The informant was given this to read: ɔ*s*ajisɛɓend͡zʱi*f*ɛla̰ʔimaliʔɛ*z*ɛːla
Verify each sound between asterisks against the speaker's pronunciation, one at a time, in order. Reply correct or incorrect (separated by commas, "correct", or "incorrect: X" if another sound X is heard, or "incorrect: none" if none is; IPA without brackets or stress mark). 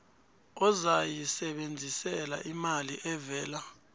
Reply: incorrect: z, incorrect: s, incorrect: v